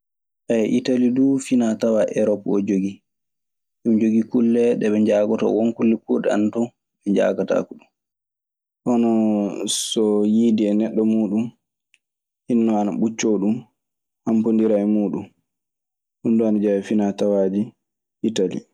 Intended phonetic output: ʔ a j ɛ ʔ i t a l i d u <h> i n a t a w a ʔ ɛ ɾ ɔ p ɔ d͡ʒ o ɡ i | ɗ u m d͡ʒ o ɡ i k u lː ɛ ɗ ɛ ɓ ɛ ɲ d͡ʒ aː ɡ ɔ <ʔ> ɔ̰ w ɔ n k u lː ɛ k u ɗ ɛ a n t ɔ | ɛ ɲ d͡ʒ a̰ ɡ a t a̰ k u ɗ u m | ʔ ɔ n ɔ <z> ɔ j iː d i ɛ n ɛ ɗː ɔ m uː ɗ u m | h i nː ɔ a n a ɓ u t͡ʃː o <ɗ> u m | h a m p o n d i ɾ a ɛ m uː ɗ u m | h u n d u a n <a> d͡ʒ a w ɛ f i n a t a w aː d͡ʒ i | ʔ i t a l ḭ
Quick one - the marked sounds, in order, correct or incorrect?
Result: incorrect: f, incorrect: t, incorrect: s, correct, correct

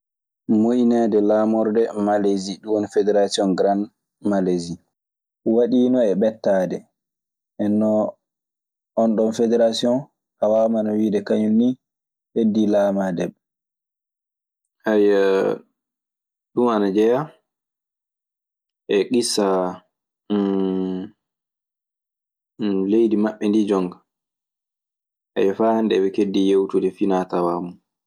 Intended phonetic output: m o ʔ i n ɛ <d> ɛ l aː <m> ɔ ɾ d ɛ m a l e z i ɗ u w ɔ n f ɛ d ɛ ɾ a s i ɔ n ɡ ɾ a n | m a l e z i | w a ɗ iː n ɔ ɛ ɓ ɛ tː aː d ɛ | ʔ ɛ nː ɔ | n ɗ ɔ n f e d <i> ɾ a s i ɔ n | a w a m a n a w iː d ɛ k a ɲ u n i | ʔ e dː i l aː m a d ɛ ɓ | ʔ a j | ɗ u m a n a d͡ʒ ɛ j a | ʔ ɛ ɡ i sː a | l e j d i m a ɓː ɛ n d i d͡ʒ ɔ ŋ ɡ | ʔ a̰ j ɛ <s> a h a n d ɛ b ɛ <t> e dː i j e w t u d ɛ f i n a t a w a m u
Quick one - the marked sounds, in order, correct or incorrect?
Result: correct, correct, incorrect: ɛ, incorrect: f, incorrect: k

